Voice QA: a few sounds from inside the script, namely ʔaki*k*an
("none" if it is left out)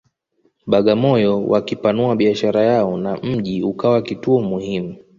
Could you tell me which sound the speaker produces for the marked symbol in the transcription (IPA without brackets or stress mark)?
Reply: p